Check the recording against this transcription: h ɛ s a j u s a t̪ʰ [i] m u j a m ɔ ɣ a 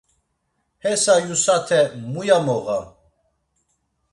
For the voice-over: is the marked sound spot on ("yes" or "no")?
no